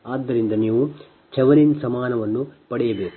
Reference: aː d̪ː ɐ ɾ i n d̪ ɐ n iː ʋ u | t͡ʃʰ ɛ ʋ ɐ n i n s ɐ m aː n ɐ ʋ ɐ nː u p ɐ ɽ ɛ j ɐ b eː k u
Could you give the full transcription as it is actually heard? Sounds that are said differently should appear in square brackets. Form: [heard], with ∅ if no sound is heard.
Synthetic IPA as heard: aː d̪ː ɐ ɾ i n d̪ ɐ n iː ʋ u | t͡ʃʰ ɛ ʋ ɐ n i n s ɐ m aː n ɐ ʋ ɐ nː u p ɐ ɽ ɛ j ɐ b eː k u